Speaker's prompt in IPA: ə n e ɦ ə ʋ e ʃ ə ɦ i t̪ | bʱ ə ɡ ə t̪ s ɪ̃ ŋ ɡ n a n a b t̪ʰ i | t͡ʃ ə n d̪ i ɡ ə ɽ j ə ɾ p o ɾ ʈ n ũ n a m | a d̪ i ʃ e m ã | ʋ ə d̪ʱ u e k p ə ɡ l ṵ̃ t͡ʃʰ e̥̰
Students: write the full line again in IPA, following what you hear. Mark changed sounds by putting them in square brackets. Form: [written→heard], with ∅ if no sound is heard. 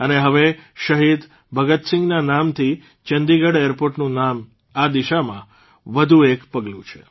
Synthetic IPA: ə n e ɦ ə ʋ e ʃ ə ɦ i [t̪→d̪] | bʱ ə ɡ ə t̪ s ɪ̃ ŋ ɡ n a n a [b→m] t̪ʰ i | t͡ʃ ə n d̪ i ɡ ə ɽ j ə ɾ p o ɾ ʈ n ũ n a m | a d̪ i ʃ [e→a] m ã | ʋ ə d̪ʱ u e k p ə ɡ l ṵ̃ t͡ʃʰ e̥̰

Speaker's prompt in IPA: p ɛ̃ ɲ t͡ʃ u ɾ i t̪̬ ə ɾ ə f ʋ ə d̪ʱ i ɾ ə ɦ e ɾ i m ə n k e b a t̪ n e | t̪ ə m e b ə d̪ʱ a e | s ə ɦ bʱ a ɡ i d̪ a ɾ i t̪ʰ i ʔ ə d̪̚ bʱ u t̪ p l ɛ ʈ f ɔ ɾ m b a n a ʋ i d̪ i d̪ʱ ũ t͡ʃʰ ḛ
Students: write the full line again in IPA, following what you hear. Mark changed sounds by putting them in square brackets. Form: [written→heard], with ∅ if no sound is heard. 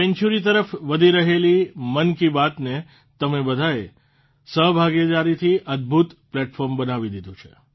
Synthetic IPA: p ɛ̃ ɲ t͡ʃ u ɾ i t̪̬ ə ɾ ə f ʋ ə d̪ʱ i ɾ ə ɦ e [ɾ→l] i m ə n k [e→i] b a t̪ n e | t̪ ə m e b ə d̪ʱ a e | s ə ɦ bʱ a ɡ [i→e] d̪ a ɾ i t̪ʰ i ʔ ə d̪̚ bʱ u t̪ p l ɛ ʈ f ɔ ɾ m b [a→ə] n a ʋ i d̪ i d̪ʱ ũ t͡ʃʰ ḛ

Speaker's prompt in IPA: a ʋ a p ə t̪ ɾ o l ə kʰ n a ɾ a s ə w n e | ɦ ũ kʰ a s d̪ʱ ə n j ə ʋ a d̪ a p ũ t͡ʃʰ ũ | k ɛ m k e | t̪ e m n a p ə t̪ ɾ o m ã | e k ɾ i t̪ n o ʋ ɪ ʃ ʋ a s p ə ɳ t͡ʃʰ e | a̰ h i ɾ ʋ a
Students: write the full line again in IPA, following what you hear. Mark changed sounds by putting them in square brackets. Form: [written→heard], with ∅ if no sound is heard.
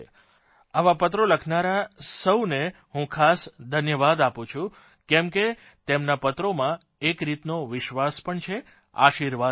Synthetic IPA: a ʋ a p ə t̪ ɾ o l ə kʰ n a ɾ a s ə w n e | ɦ ũ kʰ a s d̪ʱ ə n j ə ʋ a d̪ a p ũ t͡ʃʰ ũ | k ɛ m k e | t̪ e m n a p ə t̪ ɾ o m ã | e k ɾ i t̪ n o ʋ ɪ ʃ ʋ a s p ə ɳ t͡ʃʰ e | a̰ [h→ʃ] i ɾ ʋ a

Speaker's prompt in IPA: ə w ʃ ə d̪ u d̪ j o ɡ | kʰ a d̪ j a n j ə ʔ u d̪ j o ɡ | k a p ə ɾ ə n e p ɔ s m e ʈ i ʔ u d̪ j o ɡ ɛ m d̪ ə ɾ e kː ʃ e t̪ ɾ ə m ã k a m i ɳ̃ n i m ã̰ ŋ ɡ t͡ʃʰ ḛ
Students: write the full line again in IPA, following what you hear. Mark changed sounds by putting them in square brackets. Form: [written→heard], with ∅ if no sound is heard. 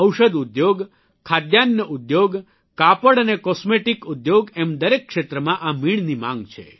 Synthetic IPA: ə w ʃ ə d̪ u d̪ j o ɡ | kʰ a d̪ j a n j ə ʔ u d̪ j o ɡ | k a p ə [ɾ→ɽ] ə n e [p→k] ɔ s m e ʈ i [ʔ→k] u d̪ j o ɡ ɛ m d̪ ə ɾ e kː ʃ e t̪ ɾ ə m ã [k→ʔ] a m i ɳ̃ n i m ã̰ ŋ ɡ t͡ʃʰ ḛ

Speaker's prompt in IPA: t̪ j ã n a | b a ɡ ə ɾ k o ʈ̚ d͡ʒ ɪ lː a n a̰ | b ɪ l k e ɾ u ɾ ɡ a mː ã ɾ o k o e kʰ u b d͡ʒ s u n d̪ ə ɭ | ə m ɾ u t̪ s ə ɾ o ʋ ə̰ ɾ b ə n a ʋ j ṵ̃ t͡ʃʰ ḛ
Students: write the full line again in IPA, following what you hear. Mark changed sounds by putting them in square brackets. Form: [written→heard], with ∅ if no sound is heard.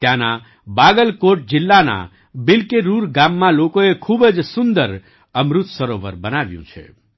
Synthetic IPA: t̪ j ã n a | b a ɡ ə [ɾ→l] k o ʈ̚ d͡ʒ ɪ lː a n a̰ | b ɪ l k e ɾ u ɾ ɡ a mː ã [ɾ→l] o k o e kʰ u b d͡ʒ s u n d̪ ə [ɭ→ɾ] | ə m ɾ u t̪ s ə ɾ o ʋ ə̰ ɾ b ə n a ʋ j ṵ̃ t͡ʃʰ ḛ

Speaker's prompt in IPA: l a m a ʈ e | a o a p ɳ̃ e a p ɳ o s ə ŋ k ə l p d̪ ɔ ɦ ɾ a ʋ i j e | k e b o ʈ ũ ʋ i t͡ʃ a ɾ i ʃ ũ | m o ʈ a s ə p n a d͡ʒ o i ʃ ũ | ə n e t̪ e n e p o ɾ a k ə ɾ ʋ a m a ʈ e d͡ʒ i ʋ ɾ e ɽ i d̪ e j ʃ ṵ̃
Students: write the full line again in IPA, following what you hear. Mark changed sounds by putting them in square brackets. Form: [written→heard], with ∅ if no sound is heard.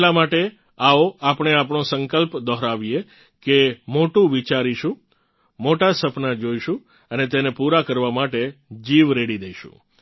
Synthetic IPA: l a m a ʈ e | a o a p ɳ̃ e a p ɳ o s ə ŋ k ə l p d̪ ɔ ɦ ɾ a ʋ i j e | k e [b→m] o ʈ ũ ʋ i t͡ʃ a ɾ i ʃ ũ | m o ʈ a s ə p n a d͡ʒ o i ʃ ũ | ə n e t̪ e n e p [o→u] ɾ a k ə ɾ ʋ a m a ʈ e d͡ʒ i ʋ ɾ e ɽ i d̪ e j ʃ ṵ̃

